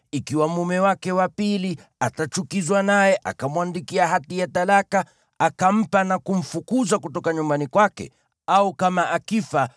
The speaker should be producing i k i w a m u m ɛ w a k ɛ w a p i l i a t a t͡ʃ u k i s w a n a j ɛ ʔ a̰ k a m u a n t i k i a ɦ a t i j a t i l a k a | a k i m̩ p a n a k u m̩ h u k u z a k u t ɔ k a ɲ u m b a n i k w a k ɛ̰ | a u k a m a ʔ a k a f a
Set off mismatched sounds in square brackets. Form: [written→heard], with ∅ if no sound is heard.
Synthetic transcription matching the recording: i k i w a m u m ɛ w a k ɛ w a p i l i a t a t͡ʃ u k i [s→z] w a n a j ɛ ʔ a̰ k a m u a n [t→d] i k i a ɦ a t i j a t [i→a] l a k a | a k [i→a] m̩ p a n a k u m̩ [h→f] u k u z a k u t ɔ k a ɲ u m b a n i k w a k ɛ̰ | a u k a m a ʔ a k [a→i] f a